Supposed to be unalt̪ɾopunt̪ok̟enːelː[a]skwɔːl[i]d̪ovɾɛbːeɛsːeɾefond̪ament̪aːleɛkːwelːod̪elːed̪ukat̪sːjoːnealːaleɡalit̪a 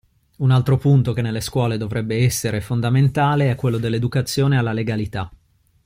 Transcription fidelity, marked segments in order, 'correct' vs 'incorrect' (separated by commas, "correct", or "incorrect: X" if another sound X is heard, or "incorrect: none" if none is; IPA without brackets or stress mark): incorrect: e, incorrect: e